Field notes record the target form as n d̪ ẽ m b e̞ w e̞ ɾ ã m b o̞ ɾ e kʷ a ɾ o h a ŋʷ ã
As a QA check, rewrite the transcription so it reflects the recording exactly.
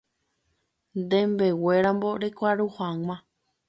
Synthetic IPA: n d̪ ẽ m b e̞ w e̞ ɾ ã m b o̞ ɾ e kʷ a ɾ u h a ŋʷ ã